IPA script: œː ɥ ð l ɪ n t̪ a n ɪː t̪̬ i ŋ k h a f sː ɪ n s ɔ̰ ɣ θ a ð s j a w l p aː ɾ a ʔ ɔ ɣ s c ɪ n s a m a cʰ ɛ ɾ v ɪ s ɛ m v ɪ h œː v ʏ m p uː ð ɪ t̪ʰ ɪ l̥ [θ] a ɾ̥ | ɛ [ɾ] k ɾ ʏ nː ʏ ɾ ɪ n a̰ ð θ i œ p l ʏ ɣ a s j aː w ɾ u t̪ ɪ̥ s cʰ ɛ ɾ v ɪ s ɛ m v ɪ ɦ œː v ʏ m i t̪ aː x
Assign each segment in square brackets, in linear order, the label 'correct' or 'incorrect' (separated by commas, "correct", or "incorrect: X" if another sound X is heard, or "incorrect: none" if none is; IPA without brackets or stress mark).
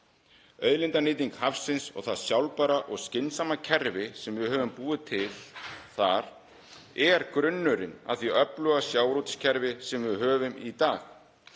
correct, correct